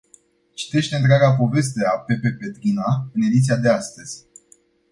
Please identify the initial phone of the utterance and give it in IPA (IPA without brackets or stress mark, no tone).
t͡ʃ